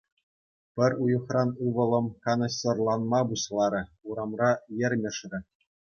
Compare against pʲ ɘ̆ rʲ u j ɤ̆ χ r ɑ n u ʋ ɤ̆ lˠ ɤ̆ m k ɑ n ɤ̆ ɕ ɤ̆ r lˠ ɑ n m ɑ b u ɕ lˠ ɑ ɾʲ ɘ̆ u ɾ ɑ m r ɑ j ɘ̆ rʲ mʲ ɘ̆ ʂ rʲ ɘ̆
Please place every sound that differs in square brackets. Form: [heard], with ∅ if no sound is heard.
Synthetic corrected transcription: pʲ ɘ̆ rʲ u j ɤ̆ χ r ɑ n u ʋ ɤ̆ lˠ ɤ̆ m k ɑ n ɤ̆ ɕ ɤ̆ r lˠ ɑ n m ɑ b u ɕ lˠ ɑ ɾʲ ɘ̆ u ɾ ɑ m r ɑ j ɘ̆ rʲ mʲ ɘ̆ ʂ rʲ ɘ̆

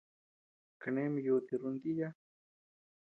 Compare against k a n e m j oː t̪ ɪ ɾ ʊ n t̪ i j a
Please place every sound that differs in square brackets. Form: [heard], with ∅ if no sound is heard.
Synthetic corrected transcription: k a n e m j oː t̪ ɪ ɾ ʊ n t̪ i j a

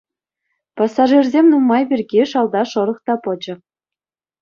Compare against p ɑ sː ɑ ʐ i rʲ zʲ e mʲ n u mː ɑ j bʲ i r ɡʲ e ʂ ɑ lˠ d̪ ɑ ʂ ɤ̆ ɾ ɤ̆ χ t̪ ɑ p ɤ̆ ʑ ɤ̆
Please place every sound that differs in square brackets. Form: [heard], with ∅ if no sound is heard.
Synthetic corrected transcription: p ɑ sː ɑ ʐ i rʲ zʲ e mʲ n u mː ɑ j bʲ i r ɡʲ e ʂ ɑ lˠ d̪ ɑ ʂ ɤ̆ ɾ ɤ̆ χ t̪ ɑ p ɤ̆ [d͡ʑ] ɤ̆

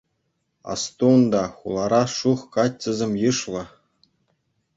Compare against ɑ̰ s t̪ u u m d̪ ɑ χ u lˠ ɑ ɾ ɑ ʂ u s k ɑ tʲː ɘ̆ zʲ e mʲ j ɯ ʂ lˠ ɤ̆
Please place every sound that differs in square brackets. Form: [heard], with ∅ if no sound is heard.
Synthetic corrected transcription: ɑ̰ s t̪ u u [n] d̪ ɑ χ u lˠ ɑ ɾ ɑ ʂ u [χ] k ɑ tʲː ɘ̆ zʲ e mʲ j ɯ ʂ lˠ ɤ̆

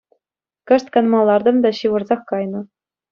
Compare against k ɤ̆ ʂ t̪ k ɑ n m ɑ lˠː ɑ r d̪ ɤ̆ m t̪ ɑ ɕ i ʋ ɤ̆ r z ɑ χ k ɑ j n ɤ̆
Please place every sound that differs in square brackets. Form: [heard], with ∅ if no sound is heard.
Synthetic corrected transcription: k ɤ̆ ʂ t̪ k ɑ n m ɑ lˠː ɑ r d̪ ɤ̆ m [d̪] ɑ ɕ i ʋ ɤ̆ r z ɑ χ k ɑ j n ɤ̆

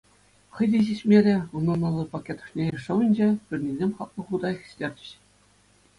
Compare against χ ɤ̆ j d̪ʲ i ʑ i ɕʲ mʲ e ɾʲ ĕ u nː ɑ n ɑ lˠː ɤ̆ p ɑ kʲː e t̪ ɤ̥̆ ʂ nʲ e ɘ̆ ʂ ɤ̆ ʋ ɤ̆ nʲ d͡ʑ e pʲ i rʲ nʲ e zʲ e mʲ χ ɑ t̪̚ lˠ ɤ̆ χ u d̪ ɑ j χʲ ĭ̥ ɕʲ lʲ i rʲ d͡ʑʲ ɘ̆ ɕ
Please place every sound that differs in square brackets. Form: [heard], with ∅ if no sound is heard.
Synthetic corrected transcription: χ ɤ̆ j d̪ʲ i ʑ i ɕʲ mʲ e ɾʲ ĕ u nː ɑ n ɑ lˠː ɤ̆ p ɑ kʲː e t̪ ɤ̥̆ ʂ nʲ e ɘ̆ ʂ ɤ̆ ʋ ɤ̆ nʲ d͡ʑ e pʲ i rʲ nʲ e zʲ e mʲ χ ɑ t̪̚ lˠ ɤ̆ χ u d̪ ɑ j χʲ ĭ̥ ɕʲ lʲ [e] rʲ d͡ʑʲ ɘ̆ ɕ

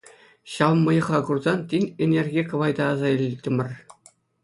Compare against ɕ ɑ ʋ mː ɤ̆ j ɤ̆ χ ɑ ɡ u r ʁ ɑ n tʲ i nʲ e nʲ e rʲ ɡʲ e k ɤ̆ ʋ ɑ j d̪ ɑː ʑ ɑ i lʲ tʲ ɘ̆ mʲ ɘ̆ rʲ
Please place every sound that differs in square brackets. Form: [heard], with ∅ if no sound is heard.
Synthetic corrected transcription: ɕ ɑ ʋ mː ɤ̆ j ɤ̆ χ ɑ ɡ u r [z] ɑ n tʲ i nʲ e nʲ e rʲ ɡʲ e k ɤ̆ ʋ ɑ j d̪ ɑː [z] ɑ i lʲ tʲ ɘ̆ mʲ ɘ̆ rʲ

